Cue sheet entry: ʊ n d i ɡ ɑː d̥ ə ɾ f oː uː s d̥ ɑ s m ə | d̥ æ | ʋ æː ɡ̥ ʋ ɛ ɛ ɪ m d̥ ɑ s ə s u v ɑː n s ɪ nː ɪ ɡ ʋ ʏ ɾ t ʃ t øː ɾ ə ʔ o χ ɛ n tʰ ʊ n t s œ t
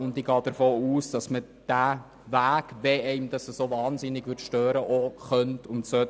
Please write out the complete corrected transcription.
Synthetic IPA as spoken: ʊ n d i ɡ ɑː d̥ ə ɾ f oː uː s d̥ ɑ s m ə | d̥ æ | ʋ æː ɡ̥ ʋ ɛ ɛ ɪ m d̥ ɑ s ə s o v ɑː n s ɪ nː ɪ ɡ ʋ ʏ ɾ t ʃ t øː ɾ ə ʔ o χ œ n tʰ ʊ n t s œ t